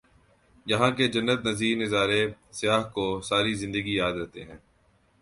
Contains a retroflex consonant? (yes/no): no